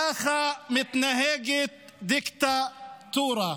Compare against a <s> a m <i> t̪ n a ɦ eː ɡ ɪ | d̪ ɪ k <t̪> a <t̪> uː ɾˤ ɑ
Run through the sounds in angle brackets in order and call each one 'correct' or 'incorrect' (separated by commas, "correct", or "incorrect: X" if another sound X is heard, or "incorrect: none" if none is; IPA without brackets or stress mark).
incorrect: x, incorrect: ɪ, correct, correct